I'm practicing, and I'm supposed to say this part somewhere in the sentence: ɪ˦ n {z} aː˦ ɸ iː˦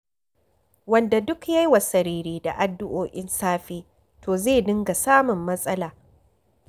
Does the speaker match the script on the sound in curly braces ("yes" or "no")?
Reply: no